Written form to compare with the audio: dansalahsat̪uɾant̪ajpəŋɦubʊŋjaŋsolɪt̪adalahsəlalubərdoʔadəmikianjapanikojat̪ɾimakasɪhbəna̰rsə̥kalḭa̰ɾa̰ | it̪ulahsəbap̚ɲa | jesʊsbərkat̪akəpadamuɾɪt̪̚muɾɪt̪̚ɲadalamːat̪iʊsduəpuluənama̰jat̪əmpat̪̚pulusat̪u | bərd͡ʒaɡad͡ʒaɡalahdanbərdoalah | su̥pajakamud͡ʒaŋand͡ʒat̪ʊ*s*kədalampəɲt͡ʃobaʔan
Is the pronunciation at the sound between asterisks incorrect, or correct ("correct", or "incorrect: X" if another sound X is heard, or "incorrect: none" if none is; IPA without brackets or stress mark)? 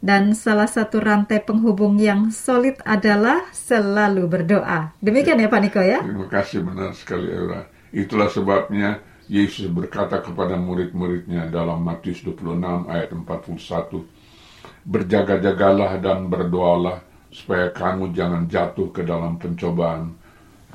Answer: incorrect: h